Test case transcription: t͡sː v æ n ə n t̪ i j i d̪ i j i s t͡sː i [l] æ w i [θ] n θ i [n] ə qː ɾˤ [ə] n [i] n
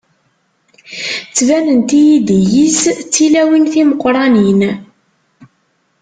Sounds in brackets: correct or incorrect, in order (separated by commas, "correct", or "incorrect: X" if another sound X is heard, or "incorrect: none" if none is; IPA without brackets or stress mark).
correct, incorrect: none, incorrect: m, incorrect: ɑ, correct